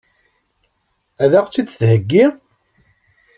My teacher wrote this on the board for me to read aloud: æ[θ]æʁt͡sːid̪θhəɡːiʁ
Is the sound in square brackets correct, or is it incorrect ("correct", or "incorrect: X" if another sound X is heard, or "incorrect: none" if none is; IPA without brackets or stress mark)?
incorrect: ð